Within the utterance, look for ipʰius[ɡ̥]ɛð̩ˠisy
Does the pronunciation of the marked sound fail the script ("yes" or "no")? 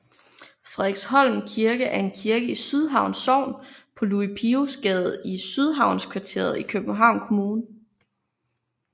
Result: no